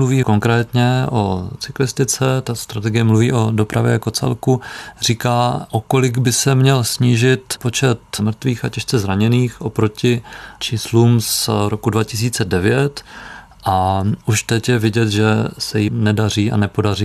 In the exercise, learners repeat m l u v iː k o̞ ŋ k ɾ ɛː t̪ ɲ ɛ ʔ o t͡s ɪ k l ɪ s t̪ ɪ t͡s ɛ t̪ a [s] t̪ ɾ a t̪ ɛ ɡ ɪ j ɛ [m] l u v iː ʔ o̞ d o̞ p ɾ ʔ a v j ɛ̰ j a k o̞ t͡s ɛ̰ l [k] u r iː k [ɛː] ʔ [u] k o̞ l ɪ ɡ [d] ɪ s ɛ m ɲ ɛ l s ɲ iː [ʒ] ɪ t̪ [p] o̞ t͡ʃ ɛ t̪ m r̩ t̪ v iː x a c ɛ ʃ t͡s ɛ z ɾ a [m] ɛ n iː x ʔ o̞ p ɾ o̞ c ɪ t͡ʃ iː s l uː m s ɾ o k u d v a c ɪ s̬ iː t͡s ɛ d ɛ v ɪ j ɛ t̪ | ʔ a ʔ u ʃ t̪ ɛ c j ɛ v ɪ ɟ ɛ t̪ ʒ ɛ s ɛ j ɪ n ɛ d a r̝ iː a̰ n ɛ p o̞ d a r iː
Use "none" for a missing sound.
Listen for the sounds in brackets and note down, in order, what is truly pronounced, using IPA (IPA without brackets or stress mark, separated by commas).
s, m, k, aː, o, b, ʒ, p, ɲ